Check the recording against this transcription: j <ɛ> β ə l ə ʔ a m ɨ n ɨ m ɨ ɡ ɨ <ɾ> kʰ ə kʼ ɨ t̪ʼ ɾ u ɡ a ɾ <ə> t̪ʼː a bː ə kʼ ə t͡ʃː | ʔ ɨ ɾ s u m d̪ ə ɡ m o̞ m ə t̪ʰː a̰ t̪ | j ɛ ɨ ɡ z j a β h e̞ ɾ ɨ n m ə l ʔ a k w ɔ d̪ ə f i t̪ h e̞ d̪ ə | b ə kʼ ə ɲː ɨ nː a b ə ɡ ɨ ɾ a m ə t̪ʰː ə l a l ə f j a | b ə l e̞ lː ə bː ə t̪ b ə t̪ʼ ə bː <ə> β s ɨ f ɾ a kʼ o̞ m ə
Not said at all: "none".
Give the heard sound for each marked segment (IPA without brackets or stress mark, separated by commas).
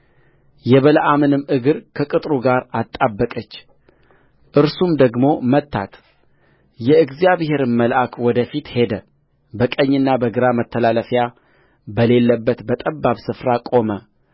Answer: ɛ, ɾ, a, a